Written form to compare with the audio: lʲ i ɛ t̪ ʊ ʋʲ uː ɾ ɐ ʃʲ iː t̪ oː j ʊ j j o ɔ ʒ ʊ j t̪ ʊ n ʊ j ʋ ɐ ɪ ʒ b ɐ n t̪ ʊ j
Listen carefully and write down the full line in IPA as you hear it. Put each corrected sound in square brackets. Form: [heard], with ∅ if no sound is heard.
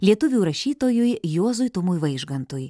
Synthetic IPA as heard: lʲ i ɛ t̪ ʊ ʋʲ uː ɾ ɐ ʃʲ iː t̪ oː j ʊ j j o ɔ [z] ʊ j t̪ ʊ [m] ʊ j ʋ ɐ ɪ ʒ [ɡ] ɐ n t̪ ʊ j

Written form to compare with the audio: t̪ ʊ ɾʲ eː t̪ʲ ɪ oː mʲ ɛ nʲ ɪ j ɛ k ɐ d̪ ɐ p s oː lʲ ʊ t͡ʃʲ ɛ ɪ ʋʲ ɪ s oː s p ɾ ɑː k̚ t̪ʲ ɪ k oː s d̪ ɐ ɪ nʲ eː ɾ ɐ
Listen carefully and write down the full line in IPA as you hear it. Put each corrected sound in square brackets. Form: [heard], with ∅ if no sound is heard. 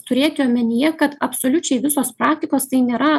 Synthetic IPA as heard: t̪ ʊ ɾʲ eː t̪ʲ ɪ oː mʲ ɛ nʲ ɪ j ɛ k ɐ [t̪] ɐ p s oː lʲ ʊ t͡ʃʲ ɛ ɪ ʋʲ ɪ s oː s p ɾ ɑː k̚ t̪ʲ ɪ k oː s [t̪] ɐ ɪ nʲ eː ɾ ɐ

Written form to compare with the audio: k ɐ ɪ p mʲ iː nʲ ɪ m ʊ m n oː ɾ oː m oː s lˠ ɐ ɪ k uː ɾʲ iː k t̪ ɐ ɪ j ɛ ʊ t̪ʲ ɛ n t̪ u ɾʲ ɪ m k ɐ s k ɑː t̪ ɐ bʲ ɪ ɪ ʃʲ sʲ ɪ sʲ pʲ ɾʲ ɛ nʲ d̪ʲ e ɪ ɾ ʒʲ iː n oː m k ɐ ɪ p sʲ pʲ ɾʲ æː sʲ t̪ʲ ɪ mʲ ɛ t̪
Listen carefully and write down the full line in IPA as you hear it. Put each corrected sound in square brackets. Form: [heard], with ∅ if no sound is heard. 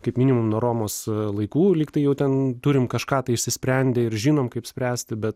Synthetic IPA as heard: k ɐ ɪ p mʲ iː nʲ ɪ m ʊ m n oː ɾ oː m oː s lˠ ɐ ɪ k uː [lʲ] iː k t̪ ɐ ɪ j ɛ ʊ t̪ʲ ɛ n t̪ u ɾʲ ɪ m k ɐ [ʃ] k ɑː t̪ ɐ [∅] ɪ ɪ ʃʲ sʲ ɪ sʲ pʲ ɾʲ ɛ nʲ d̪ʲ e ɪ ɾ ʒʲ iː n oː m k ɐ ɪ p sʲ pʲ ɾʲ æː sʲ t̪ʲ ɪ [bʲ] ɛ t̪

